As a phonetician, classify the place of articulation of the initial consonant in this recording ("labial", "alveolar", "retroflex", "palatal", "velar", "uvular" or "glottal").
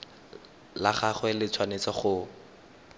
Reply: alveolar